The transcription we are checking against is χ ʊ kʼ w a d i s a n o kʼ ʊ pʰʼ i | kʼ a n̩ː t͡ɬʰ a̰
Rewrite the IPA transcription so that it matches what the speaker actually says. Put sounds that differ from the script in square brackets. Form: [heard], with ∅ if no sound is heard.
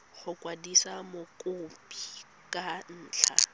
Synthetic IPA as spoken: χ ʊ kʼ w a d i s a [m] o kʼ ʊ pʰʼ i | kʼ a n̩ː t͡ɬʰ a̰